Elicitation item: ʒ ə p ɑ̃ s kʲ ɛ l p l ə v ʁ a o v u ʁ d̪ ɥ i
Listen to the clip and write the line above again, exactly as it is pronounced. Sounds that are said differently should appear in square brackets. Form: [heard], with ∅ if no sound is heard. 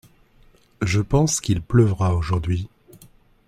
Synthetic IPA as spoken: ʒ ə p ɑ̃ s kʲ [i] l p l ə v ʁ a o [ʒ] u ʁ d̪ ɥ i